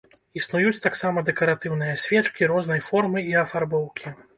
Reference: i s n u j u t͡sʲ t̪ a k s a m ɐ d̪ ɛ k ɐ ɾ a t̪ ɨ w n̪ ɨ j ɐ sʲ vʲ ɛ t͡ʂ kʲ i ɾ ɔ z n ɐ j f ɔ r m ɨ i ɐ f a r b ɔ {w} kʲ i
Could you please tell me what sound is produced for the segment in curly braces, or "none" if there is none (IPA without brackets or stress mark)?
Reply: w